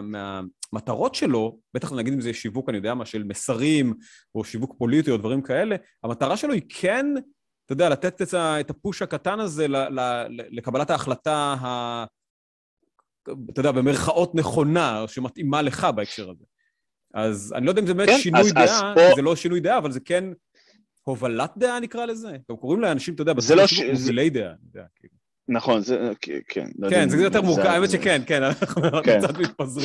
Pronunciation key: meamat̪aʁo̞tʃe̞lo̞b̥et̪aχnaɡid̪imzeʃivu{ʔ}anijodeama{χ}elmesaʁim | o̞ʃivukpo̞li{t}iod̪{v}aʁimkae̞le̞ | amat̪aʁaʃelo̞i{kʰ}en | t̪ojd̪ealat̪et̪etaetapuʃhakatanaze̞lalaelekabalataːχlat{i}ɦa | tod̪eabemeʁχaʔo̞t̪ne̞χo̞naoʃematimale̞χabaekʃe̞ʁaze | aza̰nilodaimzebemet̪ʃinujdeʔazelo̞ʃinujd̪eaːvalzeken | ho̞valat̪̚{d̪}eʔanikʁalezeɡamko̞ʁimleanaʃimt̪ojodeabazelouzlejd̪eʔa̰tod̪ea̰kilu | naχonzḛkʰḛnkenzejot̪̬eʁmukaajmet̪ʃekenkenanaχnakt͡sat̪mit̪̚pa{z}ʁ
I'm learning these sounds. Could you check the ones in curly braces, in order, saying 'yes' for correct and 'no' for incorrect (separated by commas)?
no, no, yes, yes, yes, no, yes, yes